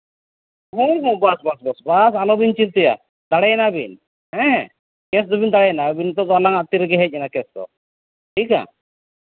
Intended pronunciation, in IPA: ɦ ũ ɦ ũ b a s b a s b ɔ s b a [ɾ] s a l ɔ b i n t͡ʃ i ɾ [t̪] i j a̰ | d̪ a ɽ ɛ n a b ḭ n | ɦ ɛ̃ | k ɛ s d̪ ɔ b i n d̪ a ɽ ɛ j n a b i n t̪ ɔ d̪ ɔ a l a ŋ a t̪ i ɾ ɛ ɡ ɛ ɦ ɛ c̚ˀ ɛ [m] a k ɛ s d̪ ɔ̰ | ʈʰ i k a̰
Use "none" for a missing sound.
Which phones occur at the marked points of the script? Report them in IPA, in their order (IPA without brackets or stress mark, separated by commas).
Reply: none, t̪, n